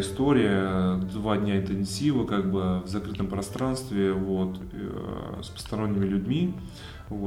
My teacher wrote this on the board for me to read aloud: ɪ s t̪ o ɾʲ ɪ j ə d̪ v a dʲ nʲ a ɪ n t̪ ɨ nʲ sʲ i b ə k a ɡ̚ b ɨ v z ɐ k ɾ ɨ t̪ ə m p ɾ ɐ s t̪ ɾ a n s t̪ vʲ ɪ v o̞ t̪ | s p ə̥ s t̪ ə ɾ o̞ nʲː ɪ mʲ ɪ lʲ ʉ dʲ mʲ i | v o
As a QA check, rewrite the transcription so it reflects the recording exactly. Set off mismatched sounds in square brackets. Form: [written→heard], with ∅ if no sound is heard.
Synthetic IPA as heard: ɪ s t̪ o ɾʲ ɪ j ə d̪ v a dʲ nʲ a ɪ n t̪ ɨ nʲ sʲ i [b→v] ə k a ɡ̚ b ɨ v z ɐ k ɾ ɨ t̪ ə m p ɾ ɐ s t̪ ɾ a n s t̪ vʲ ɪ v o̞ t̪ | s p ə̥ s t̪ [ə→ɐ] ɾ o̞ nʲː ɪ mʲ ɪ lʲ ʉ dʲ mʲ i | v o